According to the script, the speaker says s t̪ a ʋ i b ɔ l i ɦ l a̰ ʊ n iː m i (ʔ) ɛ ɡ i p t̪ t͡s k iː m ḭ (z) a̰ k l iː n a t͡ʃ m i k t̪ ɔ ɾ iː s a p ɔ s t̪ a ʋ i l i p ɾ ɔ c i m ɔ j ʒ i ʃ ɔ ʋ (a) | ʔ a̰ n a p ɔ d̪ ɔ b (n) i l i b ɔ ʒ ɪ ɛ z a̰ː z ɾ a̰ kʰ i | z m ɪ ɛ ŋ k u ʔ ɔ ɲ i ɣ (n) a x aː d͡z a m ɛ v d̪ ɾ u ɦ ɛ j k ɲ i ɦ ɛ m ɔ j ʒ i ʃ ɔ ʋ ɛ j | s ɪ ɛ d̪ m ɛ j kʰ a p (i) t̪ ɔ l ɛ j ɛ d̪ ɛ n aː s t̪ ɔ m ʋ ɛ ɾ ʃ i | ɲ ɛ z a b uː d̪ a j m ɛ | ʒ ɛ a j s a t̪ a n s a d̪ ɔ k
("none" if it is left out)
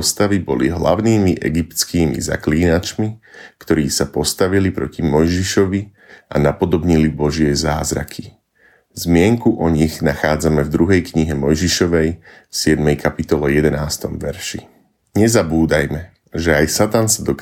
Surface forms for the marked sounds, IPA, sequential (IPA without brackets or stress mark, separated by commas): ʔ, z, i, ɲ, n, i